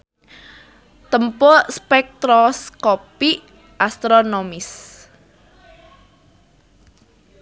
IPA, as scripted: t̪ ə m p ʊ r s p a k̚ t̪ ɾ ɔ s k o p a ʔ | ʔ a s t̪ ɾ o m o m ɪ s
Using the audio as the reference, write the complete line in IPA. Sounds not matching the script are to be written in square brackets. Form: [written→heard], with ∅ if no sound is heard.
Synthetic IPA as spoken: t̪ ə m p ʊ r s p [a→ɛ] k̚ t̪ ɾ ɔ s k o p [a→i] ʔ | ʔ a s t̪ ɾ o [m→n] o m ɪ s